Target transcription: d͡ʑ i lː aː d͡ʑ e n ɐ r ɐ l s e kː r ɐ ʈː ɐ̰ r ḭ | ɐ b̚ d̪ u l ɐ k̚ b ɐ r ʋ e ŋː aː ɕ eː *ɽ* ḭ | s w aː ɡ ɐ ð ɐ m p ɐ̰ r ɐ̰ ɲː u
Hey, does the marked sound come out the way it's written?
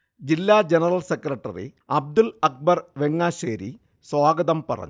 no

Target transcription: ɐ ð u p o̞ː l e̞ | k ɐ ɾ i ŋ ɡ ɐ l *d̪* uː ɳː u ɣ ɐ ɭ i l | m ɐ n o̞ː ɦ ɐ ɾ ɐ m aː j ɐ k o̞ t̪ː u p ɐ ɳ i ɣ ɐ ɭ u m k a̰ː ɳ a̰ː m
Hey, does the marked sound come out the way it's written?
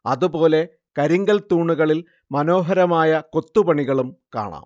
no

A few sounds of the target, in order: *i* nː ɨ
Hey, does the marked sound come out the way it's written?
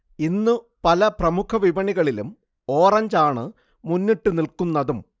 yes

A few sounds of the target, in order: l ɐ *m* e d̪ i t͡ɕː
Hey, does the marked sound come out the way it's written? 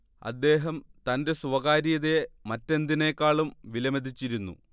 yes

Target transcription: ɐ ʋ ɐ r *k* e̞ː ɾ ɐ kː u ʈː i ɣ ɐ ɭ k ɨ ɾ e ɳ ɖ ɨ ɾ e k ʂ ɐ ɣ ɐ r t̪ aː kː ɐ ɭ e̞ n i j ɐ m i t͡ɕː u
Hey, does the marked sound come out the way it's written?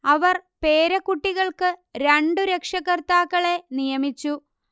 no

